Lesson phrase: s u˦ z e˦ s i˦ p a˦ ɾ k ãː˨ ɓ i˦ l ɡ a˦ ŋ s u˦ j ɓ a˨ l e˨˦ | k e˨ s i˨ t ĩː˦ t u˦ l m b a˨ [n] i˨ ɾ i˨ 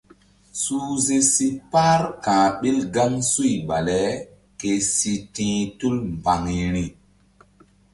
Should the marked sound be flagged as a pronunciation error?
yes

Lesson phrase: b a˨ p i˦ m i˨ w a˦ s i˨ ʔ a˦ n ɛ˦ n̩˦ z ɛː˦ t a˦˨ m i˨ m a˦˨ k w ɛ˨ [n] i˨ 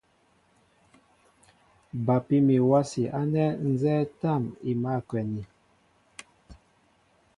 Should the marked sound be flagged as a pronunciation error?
no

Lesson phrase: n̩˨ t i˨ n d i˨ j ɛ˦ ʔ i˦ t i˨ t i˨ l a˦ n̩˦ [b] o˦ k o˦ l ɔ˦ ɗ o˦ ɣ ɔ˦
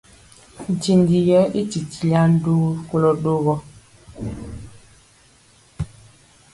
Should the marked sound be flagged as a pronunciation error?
yes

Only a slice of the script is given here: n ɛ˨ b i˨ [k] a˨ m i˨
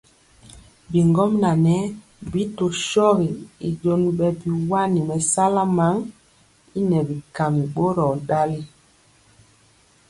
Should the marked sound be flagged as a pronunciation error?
no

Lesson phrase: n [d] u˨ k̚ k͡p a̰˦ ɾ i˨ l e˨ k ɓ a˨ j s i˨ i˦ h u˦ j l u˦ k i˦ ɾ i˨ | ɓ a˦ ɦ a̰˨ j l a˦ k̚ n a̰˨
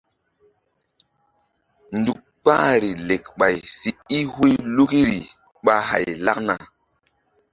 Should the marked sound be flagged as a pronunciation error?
no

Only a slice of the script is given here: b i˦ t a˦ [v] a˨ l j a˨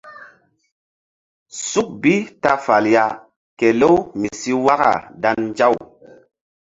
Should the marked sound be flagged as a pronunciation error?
yes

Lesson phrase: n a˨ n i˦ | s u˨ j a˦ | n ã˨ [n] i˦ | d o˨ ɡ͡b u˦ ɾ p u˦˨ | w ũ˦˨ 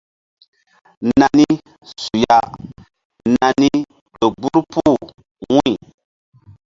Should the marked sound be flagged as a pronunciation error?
no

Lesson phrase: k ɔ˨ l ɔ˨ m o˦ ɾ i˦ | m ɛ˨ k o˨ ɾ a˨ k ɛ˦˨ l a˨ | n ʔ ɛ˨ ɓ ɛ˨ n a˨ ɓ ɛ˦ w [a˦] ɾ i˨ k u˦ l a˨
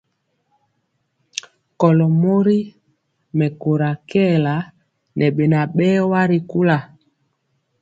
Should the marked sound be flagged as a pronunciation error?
no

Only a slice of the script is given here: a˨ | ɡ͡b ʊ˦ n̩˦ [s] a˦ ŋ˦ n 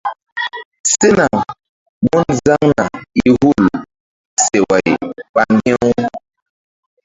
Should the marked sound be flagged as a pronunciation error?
yes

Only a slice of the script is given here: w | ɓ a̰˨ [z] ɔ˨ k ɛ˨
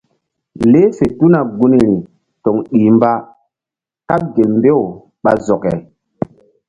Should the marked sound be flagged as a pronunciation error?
no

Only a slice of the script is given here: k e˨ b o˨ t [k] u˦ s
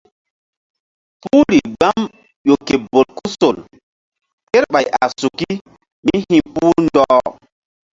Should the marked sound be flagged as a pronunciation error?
no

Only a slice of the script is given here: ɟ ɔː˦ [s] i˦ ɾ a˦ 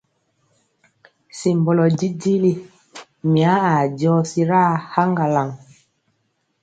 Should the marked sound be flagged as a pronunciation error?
no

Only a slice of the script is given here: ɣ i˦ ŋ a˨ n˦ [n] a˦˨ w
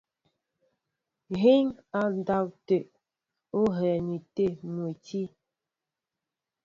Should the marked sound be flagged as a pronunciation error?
yes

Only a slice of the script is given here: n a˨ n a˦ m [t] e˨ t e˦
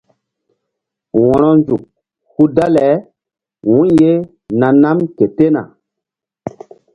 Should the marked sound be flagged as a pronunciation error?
yes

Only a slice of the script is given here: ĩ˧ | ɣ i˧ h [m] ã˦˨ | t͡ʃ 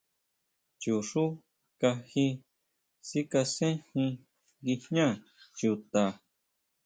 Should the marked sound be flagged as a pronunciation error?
yes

